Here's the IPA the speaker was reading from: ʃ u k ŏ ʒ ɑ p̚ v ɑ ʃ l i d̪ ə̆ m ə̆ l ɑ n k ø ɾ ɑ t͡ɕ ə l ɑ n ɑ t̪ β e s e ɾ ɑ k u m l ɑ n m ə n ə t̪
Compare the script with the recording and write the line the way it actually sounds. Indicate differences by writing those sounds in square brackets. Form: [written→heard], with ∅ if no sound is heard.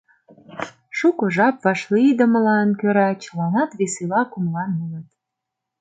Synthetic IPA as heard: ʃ u k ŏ ʒ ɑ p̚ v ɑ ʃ l i d̪ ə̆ m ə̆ l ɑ n k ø ɾ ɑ t͡ɕ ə l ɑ n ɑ t̪ β e s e [ɾ→l] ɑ k u m l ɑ n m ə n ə t̪